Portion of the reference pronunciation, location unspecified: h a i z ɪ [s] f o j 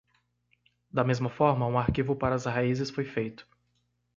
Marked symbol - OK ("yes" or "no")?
yes